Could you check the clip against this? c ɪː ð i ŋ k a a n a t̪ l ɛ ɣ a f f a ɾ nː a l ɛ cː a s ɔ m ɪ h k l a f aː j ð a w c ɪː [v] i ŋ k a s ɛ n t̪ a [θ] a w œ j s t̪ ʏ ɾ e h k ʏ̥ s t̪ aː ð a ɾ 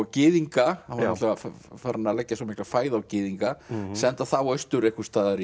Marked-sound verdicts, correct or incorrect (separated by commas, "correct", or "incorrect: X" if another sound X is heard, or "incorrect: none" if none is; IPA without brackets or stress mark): incorrect: ð, correct